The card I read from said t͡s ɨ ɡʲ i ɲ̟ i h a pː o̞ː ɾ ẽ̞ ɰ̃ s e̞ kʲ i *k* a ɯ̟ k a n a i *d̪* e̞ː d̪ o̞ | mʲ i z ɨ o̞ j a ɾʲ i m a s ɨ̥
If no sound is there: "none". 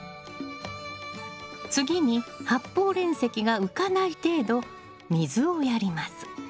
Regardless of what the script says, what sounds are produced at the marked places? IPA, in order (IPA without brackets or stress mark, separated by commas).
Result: ɡ, t̪